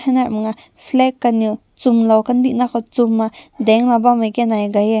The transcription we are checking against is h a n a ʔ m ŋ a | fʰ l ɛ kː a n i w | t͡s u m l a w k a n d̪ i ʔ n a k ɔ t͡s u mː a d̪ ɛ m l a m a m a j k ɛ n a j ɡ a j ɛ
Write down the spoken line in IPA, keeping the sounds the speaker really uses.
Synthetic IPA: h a n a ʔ m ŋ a | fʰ l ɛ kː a n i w | t͡s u m l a w k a n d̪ i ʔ n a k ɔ t͡s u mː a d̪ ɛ ŋ l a b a m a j k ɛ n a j ɡ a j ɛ